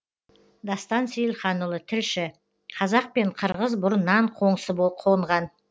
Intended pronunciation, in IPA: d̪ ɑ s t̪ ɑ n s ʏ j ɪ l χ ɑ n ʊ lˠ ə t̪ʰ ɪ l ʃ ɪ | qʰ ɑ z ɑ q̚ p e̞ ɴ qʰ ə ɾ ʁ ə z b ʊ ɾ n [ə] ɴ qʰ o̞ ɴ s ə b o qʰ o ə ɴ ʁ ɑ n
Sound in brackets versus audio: incorrect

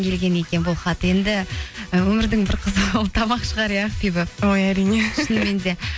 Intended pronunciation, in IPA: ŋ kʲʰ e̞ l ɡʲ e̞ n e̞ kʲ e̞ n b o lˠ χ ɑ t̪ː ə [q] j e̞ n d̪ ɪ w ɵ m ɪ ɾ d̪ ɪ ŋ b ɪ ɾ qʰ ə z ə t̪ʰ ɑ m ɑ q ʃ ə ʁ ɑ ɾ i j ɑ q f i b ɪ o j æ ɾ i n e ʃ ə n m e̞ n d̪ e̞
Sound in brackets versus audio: incorrect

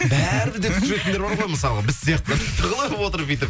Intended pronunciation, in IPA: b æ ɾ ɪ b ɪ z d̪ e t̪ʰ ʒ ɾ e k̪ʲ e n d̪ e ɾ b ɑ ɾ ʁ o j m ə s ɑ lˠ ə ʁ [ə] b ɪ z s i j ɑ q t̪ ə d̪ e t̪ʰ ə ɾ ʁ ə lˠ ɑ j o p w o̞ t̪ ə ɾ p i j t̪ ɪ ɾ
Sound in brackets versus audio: incorrect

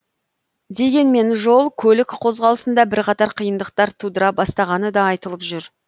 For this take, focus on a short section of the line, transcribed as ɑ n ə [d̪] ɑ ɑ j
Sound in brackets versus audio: correct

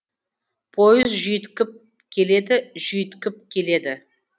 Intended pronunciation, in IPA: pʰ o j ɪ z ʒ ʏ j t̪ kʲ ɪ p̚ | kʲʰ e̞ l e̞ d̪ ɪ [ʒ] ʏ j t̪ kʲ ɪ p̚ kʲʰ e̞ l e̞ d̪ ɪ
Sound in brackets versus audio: correct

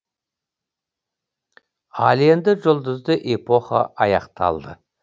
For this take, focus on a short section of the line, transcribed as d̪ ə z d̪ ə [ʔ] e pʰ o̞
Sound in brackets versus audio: correct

